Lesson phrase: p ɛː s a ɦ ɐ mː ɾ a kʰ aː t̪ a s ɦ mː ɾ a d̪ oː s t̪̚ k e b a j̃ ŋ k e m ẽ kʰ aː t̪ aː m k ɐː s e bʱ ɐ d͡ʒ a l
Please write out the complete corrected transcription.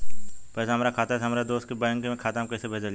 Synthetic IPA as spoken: p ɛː s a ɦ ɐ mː ɾ a kʰ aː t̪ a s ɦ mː ɾ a d̪ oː s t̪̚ k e b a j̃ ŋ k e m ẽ kʰ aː t̪ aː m k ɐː s e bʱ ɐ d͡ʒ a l